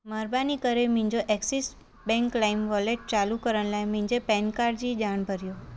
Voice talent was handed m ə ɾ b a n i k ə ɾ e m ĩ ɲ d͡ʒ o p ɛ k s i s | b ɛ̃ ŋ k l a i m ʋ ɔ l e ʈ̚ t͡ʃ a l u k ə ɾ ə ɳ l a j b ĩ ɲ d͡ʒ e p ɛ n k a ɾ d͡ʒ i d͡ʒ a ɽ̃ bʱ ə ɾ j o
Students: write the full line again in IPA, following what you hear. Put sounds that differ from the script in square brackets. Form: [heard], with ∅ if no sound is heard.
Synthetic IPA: m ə ɾ b a n i k ə ɾ e m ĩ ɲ d͡ʒ o [ʔ] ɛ k s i s | b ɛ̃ ŋ k l a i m ʋ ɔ l e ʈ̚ t͡ʃ a l u k ə ɾ ə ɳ l a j [m] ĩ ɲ d͡ʒ e p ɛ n k a ɾ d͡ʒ i d͡ʒ a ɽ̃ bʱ ə ɾ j o

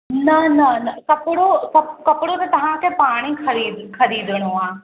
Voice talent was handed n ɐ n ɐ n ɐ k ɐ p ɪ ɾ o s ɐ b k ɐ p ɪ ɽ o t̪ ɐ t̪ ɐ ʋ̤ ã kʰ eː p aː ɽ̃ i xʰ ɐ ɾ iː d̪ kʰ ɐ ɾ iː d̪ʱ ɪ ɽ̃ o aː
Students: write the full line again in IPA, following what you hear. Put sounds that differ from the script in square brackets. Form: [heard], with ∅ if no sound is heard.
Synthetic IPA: n ɐ n ɐ n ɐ k ɐ p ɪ [ɽ] o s ɐ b k ɐ p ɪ ɽ o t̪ ɐ t̪ ɐ ʋ̤ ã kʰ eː p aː ɽ̃ i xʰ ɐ ɾ iː d̪ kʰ ɐ ɾ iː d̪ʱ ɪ ɽ̃ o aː

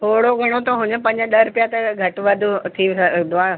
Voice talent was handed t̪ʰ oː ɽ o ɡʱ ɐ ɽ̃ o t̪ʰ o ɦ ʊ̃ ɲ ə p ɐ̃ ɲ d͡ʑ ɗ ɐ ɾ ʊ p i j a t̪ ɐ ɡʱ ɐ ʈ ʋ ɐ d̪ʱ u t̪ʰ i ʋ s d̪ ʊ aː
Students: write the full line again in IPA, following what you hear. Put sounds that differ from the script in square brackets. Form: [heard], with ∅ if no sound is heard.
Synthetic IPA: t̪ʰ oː ɽ o ɡʱ ɐ ɽ̃ o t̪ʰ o ɦ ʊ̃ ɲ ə p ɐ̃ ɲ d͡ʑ ɗ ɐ ɾ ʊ p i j a t̪ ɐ ɡʱ ɐ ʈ ʋ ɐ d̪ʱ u t̪ʰ i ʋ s d̪ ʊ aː

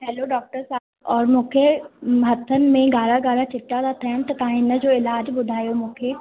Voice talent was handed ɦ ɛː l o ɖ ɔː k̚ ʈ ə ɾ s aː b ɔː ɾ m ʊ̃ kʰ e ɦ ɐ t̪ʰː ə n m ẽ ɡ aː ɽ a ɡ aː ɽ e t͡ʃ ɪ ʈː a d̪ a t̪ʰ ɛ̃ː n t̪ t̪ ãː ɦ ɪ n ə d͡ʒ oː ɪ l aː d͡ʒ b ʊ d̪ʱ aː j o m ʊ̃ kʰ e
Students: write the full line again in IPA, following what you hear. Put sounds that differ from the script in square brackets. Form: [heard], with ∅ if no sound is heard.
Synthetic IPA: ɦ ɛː l o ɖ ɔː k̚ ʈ ə ɾ s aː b ɔː ɾ m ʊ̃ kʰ e ɦ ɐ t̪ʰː ə n m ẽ ɡ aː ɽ a ɡ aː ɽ [a] t͡ʃ ɪ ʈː a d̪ a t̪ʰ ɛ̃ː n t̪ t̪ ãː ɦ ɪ n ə d͡ʒ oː ɪ l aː d͡ʒ b ʊ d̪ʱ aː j o m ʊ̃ kʰ e

